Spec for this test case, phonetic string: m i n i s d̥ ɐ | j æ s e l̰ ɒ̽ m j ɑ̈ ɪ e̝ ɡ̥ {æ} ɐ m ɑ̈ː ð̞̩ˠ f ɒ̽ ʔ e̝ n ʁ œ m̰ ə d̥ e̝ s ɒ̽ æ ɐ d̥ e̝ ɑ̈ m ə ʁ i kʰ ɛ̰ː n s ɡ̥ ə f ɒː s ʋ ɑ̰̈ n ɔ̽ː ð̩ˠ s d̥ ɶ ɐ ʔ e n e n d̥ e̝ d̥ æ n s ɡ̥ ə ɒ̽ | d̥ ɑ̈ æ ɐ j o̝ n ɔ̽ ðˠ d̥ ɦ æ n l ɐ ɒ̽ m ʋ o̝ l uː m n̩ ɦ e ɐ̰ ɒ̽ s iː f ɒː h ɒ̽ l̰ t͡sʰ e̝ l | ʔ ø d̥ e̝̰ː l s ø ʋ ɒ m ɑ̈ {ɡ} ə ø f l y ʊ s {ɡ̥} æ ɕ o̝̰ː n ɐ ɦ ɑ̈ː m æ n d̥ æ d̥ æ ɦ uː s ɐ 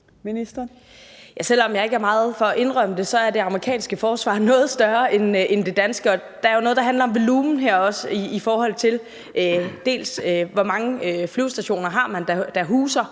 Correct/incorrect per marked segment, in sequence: correct, incorrect, incorrect

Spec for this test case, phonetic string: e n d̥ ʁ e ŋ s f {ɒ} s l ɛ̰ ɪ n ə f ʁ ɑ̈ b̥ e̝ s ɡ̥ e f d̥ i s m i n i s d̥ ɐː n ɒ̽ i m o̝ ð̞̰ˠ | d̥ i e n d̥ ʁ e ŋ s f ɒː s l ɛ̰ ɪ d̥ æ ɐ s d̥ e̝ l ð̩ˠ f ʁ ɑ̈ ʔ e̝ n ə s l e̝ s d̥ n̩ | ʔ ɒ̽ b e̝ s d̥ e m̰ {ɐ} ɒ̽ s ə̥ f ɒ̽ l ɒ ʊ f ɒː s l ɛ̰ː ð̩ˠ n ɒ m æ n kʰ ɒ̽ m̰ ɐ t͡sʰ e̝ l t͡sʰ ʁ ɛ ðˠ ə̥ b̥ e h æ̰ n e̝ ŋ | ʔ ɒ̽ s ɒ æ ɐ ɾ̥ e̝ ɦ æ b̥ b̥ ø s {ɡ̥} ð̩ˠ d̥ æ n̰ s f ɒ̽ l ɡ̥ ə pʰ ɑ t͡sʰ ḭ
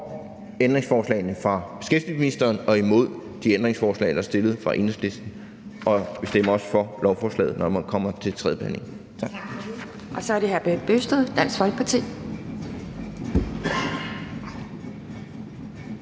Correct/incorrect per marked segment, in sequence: incorrect, correct, incorrect

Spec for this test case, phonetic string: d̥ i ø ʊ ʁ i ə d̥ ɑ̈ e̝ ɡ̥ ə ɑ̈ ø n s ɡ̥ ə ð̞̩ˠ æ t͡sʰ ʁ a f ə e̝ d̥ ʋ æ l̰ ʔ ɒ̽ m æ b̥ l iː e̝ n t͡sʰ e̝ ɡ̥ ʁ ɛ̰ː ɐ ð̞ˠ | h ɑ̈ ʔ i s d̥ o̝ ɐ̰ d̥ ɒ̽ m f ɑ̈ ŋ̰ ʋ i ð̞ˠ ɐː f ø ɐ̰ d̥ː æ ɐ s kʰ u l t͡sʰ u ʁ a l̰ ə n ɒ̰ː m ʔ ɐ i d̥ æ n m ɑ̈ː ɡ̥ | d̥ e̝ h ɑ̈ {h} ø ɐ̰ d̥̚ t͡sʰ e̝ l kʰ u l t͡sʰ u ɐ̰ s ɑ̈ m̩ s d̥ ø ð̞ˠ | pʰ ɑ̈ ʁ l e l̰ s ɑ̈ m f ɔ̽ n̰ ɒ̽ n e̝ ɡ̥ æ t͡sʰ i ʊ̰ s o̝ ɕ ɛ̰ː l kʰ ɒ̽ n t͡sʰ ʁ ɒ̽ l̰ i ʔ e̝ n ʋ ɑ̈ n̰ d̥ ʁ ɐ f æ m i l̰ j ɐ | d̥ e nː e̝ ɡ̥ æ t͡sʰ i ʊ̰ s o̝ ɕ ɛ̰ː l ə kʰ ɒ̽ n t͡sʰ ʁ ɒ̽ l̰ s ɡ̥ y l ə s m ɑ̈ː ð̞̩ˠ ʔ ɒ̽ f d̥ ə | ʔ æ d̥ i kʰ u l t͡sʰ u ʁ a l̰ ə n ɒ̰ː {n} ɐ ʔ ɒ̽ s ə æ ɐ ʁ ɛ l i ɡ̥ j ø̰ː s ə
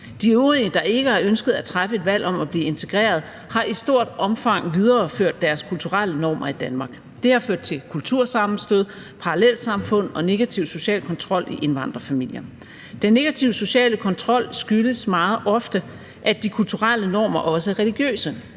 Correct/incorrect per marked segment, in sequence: incorrect, incorrect

